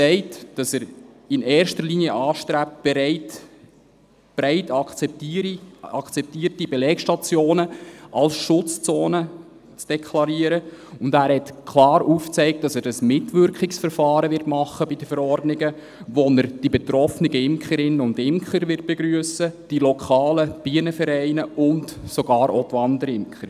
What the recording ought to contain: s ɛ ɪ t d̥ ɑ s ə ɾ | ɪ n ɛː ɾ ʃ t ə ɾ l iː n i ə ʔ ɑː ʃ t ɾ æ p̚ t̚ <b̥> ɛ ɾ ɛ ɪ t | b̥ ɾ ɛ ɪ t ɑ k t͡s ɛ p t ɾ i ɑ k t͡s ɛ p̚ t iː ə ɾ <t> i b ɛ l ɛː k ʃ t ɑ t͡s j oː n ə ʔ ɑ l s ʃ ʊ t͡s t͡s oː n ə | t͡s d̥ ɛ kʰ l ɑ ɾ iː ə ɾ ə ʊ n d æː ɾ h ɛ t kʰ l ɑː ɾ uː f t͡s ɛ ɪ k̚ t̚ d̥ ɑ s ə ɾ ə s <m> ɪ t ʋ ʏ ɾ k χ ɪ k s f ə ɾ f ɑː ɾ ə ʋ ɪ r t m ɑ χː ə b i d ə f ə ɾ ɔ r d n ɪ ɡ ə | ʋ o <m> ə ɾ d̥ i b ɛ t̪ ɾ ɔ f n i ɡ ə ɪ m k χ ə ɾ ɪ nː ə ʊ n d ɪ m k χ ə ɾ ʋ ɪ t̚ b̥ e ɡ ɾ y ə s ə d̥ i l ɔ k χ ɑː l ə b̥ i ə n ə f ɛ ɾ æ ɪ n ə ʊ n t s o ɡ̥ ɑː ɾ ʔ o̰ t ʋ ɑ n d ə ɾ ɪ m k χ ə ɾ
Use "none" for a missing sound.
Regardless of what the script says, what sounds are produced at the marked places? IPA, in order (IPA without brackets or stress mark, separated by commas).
b̥, t, m, n